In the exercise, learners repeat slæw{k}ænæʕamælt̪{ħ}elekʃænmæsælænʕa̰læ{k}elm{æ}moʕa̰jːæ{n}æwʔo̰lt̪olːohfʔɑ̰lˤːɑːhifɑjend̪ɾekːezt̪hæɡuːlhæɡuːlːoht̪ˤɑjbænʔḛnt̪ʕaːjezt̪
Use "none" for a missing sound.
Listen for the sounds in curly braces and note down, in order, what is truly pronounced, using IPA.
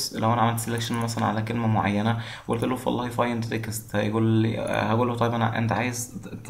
ʔ, s, k, æ, n

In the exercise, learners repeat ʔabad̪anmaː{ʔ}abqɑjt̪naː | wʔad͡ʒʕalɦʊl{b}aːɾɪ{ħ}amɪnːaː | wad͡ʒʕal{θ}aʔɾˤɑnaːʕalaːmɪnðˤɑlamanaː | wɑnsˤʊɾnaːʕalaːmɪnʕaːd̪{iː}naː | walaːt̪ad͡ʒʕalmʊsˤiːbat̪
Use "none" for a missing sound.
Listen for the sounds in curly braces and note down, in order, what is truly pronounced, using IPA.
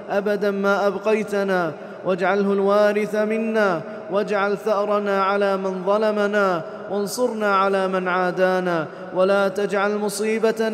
ʔ, w, θ, θ, aː

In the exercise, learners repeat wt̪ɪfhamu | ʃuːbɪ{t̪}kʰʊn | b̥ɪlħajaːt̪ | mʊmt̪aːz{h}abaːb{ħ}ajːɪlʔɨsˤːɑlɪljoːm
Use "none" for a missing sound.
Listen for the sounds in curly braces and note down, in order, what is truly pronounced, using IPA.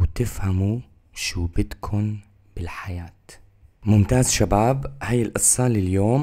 t̪, ʃ, h

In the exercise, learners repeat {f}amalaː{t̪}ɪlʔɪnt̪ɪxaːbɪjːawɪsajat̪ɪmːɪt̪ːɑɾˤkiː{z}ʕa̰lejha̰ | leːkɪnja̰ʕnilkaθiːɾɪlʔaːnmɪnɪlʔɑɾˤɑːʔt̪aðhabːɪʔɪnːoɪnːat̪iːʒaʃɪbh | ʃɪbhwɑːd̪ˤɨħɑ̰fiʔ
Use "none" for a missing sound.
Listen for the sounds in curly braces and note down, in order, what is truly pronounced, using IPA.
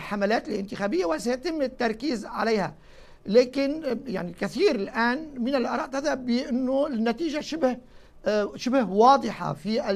ħ, t̪, z

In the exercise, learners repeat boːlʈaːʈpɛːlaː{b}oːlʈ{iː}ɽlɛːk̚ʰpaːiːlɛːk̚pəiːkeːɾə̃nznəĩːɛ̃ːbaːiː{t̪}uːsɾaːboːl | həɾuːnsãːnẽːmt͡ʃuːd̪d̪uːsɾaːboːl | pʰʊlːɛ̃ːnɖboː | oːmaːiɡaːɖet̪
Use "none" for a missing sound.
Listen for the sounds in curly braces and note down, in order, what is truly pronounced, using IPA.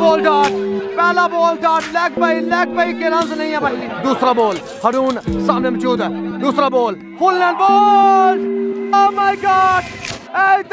b, aː, d̪

